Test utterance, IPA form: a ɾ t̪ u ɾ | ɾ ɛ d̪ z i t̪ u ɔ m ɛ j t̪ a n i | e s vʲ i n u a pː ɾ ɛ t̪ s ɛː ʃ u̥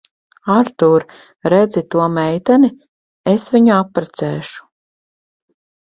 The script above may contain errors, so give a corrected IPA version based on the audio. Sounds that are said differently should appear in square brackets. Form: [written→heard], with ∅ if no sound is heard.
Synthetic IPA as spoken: a ɾ t̪ u ɾ | ɾ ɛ d̪ z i t̪ u ɔ m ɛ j t̪ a n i | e s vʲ i [n→ɲ] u a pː ɾ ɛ t̪ s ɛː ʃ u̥